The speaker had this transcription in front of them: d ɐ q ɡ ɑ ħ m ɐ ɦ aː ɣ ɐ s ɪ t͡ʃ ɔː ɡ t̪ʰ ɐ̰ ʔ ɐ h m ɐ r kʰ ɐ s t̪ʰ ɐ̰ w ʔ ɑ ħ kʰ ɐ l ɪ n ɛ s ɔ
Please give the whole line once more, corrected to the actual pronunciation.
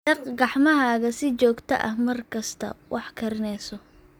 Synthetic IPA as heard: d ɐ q ɡ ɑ ħ m ɐ ɦ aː ɣ ɐ s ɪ t͡ʃ ɔː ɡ t̪ʰ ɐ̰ ʔ ɐ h m ɐ r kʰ ɐ s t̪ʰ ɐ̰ w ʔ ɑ ħ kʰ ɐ ɾ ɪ n ɛ s ɔ